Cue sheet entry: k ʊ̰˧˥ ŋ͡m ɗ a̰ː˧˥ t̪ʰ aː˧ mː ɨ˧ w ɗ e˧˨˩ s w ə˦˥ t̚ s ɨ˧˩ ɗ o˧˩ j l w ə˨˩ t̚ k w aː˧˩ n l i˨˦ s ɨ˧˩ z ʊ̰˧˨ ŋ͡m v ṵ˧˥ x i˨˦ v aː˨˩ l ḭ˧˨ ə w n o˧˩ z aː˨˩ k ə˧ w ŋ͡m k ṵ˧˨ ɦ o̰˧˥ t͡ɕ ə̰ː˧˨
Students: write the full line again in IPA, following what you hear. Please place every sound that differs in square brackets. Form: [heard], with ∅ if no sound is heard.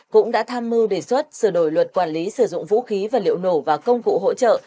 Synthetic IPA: k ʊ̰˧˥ ŋ͡m ɗ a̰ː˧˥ t̪ʰ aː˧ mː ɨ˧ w ɗ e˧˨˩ s w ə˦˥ t̚ s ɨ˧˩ ɗ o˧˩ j l w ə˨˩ t̚ k w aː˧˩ n l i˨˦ s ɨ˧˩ z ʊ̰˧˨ ŋ͡m v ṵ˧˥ x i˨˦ v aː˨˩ l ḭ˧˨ ə w n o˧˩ [v] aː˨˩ k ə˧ w ŋ͡m k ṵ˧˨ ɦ o̰˧˥ t͡ɕ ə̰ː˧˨

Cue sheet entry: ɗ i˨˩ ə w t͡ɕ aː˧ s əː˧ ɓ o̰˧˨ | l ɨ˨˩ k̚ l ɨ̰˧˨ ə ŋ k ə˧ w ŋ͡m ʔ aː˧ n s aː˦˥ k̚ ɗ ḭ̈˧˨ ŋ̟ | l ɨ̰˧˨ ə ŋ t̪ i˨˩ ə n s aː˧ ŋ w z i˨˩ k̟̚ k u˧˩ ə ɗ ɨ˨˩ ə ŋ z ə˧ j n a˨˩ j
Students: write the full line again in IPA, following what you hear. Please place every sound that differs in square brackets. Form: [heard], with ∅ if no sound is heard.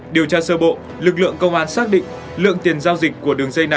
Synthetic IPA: ɗ i˨˩ ə w t͡ɕ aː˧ s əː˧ ɓ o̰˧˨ | l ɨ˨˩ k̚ l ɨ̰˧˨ ə ŋ k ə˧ w ŋ͡m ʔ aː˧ n s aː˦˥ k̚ ɗ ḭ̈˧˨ ŋ̟ | l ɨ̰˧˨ ə ŋ t̪ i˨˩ ə n [z] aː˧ [∅] w z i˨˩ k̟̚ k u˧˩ ə ɗ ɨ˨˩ ə ŋ z ə˧ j n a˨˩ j

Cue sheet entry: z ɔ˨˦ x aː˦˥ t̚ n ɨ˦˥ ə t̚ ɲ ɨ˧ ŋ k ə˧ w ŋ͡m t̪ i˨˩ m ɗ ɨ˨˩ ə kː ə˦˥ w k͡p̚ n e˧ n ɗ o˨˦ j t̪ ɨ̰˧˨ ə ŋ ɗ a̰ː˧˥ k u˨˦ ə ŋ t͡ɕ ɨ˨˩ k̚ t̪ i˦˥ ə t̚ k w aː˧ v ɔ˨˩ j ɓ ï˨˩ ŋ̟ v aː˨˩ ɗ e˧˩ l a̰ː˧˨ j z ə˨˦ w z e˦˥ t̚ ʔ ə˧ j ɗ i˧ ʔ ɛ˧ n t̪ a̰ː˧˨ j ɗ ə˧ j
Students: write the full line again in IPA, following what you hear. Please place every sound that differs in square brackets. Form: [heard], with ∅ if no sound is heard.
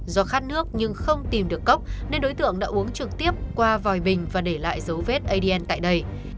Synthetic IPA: z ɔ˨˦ x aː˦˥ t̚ n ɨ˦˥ ə [k̚] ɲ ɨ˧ ŋ [x] ə˧ w ŋ͡m t̪ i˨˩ m ɗ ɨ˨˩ ə kː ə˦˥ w k͡p̚ n e˧ n ɗ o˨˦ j t̪ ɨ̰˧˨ ə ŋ ɗ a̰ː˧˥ [ʔ] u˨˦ ə ŋ t͡ɕ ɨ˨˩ k̚ t̪ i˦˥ ə [p̚] k w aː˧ v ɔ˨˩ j ɓ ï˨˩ ŋ̟ v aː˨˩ ɗ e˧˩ l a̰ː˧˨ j z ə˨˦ w [v] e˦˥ t̚ ʔ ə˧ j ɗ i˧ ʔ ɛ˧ n t̪ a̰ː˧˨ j ɗ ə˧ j

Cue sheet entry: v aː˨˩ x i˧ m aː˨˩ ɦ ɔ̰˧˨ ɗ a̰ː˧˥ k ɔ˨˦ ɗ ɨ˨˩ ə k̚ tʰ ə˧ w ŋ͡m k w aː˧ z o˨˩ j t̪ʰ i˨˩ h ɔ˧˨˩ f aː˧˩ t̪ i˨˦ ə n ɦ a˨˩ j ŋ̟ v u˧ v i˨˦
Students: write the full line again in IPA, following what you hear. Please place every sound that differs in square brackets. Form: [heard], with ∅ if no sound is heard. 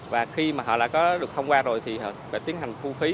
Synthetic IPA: v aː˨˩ x i˧ m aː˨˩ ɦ ɔ̰˧˨ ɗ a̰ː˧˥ k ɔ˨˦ ɗ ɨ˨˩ ə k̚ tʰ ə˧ w ŋ͡m k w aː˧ z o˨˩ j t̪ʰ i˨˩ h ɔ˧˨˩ f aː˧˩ t̪ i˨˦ ə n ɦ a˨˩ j ŋ̟ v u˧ [f] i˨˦

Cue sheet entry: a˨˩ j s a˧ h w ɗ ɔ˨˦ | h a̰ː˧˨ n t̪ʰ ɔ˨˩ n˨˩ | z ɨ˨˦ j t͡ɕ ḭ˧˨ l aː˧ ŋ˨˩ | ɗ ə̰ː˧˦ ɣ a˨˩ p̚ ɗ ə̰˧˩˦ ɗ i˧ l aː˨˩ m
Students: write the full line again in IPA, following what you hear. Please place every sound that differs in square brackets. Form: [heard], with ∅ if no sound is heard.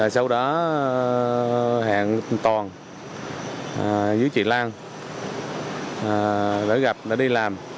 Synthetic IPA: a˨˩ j s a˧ [∅] w ɗ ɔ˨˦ | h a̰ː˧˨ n [t̪] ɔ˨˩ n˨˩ | z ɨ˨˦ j t͡ɕ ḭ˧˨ l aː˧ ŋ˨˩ | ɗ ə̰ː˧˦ ɣ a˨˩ p̚ ɗ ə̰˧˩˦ ɗ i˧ l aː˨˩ m

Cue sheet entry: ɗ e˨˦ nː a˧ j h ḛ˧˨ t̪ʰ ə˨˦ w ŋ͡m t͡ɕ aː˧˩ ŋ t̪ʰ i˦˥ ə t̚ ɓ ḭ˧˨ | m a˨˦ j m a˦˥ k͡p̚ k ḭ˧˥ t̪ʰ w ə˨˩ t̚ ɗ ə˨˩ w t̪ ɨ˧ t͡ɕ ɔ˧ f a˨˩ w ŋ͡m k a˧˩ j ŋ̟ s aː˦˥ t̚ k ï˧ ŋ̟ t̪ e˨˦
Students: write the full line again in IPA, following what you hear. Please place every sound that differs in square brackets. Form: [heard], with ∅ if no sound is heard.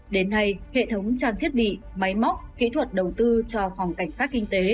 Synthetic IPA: ɗ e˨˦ nː a˧ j h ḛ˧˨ t̪ʰ ə˨˦ w ŋ͡m t͡ɕ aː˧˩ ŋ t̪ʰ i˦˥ ə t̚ ɓ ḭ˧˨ | m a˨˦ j m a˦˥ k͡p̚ k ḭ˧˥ t̪ʰ w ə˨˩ t̚ ɗ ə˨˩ w t̪ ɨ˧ t͡ɕ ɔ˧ f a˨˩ w ŋ͡m k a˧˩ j ŋ̟ s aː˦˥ t̚ k ï˧ ŋ̟ t̪ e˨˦

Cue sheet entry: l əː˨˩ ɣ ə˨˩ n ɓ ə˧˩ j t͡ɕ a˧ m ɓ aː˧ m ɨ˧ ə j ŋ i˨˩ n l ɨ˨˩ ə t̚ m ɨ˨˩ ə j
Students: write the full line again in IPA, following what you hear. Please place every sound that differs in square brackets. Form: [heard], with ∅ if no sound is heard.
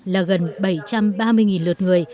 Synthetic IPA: l [aː˨˩] ɣ ə˨˩ n ɓ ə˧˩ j t͡ɕ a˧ m ɓ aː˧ m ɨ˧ ə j ŋ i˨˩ n l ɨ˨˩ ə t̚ [ŋ] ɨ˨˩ ə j

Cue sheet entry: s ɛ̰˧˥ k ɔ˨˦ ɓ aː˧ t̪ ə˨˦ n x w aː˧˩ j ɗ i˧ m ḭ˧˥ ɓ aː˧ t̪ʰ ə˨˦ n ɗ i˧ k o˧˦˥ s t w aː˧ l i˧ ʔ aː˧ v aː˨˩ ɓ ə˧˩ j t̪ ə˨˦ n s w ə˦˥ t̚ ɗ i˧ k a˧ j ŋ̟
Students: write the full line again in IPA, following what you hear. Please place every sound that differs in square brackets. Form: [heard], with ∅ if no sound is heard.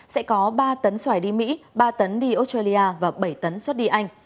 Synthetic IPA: s ɛ̰˧˥ k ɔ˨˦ ɓ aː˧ t̪ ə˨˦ n [s] w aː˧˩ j ɗ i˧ m ḭ˧˥ ɓ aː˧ [t̪] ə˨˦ n ɗ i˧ [ʔ] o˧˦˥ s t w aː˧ l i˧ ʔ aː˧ v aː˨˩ ɓ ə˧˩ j t̪ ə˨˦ n s w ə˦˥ t̚ ɗ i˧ [ʔ] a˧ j ŋ̟

